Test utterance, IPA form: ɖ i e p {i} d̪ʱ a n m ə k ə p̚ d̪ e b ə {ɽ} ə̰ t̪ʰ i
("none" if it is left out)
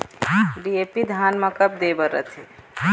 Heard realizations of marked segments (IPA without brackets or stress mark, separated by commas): i, ɾ